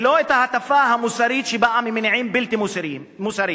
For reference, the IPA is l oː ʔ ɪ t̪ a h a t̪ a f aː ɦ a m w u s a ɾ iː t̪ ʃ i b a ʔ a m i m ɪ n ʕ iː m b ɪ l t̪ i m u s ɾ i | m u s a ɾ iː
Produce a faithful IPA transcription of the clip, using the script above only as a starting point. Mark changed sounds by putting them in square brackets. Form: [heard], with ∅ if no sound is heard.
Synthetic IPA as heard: l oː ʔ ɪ t̪ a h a t̪ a f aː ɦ a m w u s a ɾ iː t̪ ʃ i b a ʔ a m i m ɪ n ʕ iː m b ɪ l t̪ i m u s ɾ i | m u s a ɾ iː